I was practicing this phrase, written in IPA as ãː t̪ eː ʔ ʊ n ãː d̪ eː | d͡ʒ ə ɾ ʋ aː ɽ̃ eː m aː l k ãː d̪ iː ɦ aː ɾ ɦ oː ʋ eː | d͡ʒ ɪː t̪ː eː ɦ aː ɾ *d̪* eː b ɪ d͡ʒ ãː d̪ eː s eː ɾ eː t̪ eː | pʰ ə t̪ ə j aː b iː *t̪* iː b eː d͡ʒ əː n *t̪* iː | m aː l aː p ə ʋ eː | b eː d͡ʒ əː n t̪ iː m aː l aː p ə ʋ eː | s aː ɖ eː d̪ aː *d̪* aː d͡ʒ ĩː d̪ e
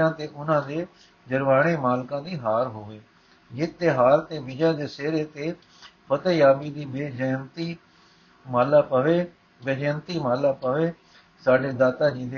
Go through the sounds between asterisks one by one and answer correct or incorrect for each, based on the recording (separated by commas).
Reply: incorrect, incorrect, correct, incorrect